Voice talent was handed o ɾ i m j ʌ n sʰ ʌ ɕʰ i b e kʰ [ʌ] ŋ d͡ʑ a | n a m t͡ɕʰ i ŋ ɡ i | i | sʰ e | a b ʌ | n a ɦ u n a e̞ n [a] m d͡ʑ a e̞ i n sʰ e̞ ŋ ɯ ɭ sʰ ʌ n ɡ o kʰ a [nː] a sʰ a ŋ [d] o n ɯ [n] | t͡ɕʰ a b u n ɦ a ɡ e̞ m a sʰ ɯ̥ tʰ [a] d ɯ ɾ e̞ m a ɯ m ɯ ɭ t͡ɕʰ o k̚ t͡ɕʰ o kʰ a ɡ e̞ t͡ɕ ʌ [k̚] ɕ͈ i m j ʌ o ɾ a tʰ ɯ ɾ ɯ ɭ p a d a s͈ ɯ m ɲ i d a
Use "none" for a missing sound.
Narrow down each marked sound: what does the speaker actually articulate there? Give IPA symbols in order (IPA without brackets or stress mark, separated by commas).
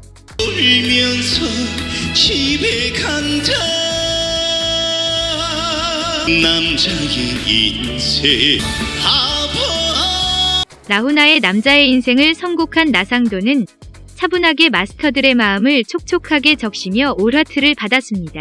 a, a, nː, d, n, ʌ, k̚